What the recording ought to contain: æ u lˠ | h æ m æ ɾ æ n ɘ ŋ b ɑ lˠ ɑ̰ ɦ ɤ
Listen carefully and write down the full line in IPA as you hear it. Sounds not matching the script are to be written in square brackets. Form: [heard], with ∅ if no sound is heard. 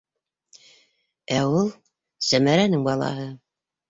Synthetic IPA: æ u lˠ | [s] æ m æ ɾ æ n ɘ ŋ b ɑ lˠ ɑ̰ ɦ ɤ